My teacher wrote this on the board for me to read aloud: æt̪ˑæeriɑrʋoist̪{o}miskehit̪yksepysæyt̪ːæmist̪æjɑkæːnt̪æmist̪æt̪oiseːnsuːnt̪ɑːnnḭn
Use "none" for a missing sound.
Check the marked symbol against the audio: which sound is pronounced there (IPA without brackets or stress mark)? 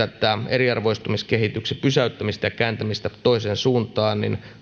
u